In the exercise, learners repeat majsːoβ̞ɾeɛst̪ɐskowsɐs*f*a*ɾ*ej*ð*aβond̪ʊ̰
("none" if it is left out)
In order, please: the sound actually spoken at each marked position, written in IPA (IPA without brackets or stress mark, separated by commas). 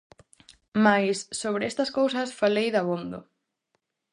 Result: f, l, ð